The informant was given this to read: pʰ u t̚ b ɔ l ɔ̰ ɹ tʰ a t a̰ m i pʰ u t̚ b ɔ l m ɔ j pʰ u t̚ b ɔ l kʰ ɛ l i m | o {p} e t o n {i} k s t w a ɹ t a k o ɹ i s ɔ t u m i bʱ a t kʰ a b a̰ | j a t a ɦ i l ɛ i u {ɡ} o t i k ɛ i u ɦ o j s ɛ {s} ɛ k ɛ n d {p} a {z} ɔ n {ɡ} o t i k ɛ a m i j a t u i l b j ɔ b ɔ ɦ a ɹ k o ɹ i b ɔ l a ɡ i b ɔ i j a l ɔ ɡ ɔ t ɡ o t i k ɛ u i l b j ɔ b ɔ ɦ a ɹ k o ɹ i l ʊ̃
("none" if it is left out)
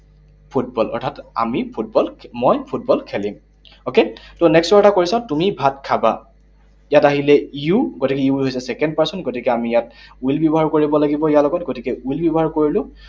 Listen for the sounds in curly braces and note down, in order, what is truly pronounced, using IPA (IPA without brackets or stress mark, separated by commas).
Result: k, ɛ, ɡ, s, p, s, ɡ